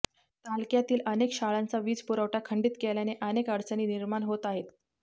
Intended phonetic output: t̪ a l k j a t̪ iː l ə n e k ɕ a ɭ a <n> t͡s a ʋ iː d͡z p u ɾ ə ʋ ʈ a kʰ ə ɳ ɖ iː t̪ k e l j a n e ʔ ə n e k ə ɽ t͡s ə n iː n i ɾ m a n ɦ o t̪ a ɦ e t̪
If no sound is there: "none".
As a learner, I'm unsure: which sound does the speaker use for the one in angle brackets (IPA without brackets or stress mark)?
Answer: n